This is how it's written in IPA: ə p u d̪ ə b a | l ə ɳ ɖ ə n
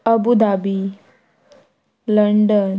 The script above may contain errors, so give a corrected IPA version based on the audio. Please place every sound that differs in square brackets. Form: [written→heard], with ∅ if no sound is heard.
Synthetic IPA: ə [p→b] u d̪ [ə→a] b [a→i] | l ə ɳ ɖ ə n

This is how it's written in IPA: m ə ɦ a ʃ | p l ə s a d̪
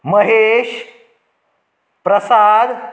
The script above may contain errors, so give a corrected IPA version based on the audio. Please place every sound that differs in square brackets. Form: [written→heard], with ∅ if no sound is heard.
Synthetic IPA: m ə ɦ [a→e] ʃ | p [l→ɾ] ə s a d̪

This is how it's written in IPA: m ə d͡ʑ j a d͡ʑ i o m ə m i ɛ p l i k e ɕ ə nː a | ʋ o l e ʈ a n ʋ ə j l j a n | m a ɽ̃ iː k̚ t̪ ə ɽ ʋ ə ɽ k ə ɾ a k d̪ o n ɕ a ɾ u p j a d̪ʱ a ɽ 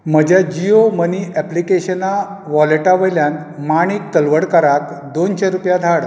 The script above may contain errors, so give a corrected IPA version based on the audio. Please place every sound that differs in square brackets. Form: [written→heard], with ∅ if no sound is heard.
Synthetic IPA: m ə d͡ʑ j a d͡ʑ i o m ə [m→n] i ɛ p l i k e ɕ ə [nː→n] a | ʋ [o→ɔ] l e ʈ a [n→∅] ʋ ə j l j a n | m a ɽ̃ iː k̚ t̪ ə [ɽ→l] ʋ ə ɽ k ə ɾ a k d̪ o n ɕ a ɾ u p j a d̪ʱ a ɽ

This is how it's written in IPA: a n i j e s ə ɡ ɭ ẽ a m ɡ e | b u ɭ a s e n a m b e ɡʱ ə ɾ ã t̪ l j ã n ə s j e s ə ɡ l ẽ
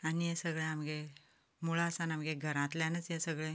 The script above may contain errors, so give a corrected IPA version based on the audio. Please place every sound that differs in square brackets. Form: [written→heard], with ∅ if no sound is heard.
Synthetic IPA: a n i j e s ə ɡ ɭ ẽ a m ɡ e | [b→m] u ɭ a s [e→a] n a m [b→ɡ] e ɡʱ ə ɾ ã t̪ l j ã n ə [s→t͡s] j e s ə ɡ [l→ɭ] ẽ

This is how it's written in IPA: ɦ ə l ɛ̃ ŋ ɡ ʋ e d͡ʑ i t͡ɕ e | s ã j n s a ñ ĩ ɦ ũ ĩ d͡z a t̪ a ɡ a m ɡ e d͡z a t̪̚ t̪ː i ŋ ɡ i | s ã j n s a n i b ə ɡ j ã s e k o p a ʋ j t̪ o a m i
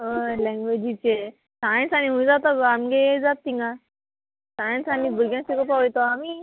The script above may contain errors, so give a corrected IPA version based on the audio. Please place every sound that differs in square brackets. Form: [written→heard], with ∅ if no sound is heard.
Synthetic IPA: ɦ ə l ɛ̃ ŋ ɡ ʋ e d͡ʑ i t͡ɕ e | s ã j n s a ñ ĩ ɦ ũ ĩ d͡z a t̪ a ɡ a m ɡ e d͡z a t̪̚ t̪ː i ŋ ɡ [i→a] | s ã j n s a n i b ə ɡ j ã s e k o p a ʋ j t̪ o a m i

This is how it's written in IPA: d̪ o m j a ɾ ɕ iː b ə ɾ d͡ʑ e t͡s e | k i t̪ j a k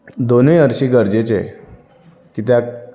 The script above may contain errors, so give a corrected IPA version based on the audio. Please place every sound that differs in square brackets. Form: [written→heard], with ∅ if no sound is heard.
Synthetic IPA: d̪ o [m→n] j [a→ə] ɾ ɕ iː [b→ɡ] ə ɾ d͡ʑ e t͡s e | k i t̪ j a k

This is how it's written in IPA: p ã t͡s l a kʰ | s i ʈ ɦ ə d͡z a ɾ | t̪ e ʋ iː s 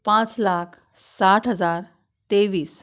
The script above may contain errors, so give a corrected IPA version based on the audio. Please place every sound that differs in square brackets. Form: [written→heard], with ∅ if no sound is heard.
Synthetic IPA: p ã t͡s l a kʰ | s [i→a] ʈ ɦ ə d͡z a ɾ | t̪ e ʋ iː s

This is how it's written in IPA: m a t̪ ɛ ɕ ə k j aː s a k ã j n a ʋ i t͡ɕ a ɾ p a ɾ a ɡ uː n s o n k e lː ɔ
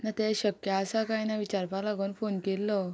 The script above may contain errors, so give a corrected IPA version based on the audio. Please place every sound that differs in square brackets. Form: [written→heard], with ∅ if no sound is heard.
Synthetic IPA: [m→n] a t̪ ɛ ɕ ə k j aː s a k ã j n a ʋ i t͡ɕ a ɾ p a [ɾ→l] a ɡ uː n [s→f] o n k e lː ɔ

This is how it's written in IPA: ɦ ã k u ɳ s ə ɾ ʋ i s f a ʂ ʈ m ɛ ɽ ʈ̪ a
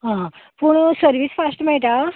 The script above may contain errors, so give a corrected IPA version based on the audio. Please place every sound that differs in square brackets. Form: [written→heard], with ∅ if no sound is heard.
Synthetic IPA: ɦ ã [k→p] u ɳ s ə ɾ ʋ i s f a [ʂ→s] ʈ m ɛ [ɽ→ɭ] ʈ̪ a

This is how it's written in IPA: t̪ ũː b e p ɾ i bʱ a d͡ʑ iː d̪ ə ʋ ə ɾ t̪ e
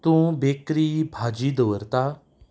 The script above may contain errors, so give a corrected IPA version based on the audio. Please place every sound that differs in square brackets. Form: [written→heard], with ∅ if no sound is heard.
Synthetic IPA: t̪ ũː b e [p→k] ɾ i bʱ a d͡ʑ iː d̪ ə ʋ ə ɾ t̪ [e→a]

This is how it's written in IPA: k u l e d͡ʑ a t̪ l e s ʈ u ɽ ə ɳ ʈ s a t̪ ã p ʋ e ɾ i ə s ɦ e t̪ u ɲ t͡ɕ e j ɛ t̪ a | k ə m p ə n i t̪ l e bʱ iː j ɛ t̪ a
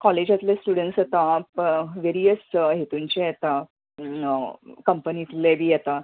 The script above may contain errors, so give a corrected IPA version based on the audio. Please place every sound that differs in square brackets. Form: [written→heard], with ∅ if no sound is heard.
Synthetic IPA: k [u→ɔ] l e d͡ʑ a t̪ l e s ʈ u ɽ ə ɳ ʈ s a t̪ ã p ʋ e ɾ i ə s ɦ e t̪ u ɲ t͡ɕ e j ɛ t̪ a | k ə m p ə n i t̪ l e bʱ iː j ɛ t̪ a

